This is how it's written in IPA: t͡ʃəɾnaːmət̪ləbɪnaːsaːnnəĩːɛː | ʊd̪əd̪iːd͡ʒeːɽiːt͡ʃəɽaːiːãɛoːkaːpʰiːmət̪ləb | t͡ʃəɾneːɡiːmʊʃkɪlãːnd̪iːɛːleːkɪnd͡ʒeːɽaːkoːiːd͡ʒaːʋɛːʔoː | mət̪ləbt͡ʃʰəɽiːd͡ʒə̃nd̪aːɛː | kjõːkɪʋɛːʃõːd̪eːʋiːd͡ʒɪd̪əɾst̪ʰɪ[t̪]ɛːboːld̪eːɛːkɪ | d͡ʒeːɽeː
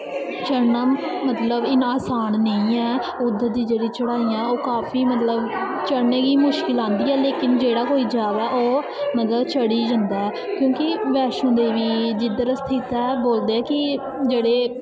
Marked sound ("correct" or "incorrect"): correct